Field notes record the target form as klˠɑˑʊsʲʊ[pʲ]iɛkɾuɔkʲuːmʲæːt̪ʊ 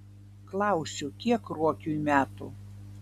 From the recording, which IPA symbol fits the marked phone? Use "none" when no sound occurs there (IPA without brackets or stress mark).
kʲ